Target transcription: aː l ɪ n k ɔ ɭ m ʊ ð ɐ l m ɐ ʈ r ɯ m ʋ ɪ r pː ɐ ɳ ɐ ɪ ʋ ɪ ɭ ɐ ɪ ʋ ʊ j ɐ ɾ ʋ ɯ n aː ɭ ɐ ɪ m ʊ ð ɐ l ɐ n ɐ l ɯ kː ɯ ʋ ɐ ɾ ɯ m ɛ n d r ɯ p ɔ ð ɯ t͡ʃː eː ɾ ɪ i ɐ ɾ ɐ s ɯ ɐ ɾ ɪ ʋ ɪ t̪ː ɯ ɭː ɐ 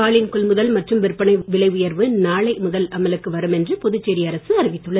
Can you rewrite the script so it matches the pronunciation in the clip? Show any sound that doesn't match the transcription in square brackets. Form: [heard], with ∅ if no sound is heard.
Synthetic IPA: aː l ɪ n k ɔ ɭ m ʊ ð ɐ l m ɐ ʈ r ɯ m ʋ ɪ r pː ɐ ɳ ɐ ɪ ʋ ɪ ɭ ɐ ɪ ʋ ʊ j ɐ ɾ ʋ ɯ n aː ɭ ɐ ɪ m ʊ ð ɐ l ɐ [m] ɐ l ɯ kː ɯ ʋ ɐ ɾ ɯ m ɛ n d r ɯ p ɔ ð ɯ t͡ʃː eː ɾ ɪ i ɐ ɾ ɐ s ɯ ɐ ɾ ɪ ʋ ɪ t̪ː ɯ ɭː ɐ